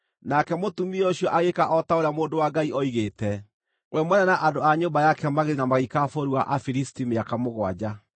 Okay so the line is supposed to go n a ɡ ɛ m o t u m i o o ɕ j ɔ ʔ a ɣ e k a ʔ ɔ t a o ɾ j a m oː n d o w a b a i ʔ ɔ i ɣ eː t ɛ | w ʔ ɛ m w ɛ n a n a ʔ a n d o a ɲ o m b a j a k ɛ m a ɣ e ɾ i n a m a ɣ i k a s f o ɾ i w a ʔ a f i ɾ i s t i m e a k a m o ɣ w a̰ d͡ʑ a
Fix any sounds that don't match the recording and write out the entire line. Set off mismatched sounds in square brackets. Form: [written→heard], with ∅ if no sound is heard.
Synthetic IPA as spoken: n a [ɡ→k] ɛ m o t u m i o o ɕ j ɔ ʔ a ɣ e k a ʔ ɔ t a o ɾ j a m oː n d o w a [b→ɡ] a i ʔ ɔ i ɣ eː t ɛ | w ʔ ɛ m w ɛ n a n a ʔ a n d o a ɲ o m b a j a k ɛ m a ɣ e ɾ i n a m a ɣ i k a [s→∅] f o ɾ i w a ʔ a f i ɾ i s t i m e a k a m o ɣ w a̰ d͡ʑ a